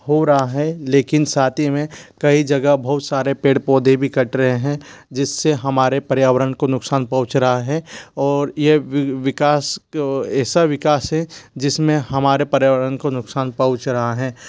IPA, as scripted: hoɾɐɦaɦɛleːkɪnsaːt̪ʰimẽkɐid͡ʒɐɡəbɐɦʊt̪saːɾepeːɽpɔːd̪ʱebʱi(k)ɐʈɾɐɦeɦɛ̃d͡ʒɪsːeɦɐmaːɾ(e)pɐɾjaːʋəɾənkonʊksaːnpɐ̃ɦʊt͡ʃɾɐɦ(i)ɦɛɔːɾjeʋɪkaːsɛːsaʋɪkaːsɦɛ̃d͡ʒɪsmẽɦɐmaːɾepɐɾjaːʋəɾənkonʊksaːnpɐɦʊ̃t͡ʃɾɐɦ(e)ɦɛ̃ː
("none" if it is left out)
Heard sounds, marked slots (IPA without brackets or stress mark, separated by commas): k, e, a, a